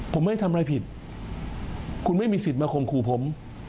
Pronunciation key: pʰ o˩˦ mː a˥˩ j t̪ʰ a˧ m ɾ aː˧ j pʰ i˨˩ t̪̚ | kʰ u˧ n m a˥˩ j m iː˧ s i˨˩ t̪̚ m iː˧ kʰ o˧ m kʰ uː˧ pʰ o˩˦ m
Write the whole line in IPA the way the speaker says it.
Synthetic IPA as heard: pʰ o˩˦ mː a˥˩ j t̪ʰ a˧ m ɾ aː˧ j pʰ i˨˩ t̪̚ | kʰ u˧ n m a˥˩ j m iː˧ s i˨˩ t̪̚ m aː˧ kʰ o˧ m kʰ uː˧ pʰ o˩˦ m